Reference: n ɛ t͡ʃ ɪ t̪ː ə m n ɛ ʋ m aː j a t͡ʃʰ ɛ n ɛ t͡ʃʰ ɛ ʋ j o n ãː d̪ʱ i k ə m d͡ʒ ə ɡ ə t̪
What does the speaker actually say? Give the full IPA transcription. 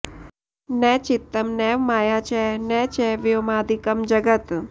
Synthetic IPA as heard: n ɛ t͡ʃ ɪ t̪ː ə m n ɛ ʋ m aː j a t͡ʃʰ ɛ n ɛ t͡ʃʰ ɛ ʋ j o m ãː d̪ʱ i k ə m d͡ʒ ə ɡ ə t̪